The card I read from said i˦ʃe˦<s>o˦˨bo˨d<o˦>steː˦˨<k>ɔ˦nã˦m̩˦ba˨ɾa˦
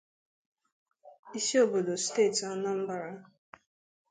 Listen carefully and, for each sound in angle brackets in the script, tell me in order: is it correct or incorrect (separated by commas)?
incorrect, incorrect, incorrect